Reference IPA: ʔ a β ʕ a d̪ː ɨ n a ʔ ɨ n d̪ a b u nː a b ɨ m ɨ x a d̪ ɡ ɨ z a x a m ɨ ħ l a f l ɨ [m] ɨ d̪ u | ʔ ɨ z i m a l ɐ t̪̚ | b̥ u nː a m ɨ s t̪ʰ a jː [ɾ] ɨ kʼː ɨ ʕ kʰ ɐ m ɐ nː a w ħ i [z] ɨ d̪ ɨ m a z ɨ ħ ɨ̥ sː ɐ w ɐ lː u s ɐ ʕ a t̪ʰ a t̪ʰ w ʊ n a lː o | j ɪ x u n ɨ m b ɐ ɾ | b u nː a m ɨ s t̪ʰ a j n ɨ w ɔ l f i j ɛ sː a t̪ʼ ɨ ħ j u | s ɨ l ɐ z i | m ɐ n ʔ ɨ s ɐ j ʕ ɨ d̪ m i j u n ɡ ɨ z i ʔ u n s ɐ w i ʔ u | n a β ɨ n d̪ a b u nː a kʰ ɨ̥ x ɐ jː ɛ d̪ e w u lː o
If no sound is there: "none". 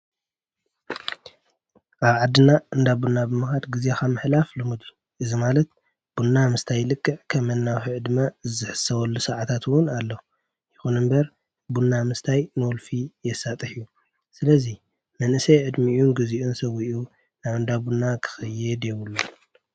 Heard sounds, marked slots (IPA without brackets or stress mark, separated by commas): m, l, ʕ